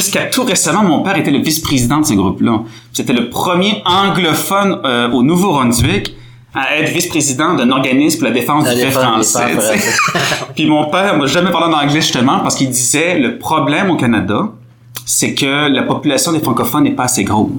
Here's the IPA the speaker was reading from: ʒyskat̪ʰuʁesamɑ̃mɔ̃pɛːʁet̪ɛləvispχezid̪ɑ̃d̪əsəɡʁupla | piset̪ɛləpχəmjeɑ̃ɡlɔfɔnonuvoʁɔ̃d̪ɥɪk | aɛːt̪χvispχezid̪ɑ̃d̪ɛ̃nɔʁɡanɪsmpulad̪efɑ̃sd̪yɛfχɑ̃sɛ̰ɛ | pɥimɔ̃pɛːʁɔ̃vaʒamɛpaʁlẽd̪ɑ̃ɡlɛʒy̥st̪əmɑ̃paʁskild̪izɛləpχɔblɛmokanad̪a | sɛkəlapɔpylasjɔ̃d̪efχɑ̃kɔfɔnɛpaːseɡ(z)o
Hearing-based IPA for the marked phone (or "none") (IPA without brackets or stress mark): ʁ